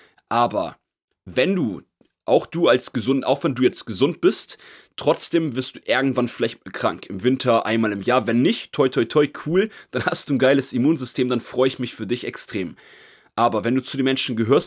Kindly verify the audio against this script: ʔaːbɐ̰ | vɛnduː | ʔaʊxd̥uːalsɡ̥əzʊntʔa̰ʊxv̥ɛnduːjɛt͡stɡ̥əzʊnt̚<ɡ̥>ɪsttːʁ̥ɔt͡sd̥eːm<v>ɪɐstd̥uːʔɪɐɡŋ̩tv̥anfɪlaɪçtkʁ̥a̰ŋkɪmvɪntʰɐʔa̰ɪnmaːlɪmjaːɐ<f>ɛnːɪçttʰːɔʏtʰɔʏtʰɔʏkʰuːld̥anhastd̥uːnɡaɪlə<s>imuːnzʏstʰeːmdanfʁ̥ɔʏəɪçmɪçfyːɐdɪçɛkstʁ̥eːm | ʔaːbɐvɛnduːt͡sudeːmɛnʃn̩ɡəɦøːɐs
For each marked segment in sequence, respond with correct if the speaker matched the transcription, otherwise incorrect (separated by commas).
incorrect, correct, incorrect, correct